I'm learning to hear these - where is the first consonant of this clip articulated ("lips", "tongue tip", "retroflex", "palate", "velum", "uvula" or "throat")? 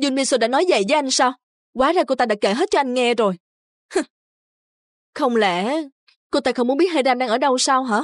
tongue tip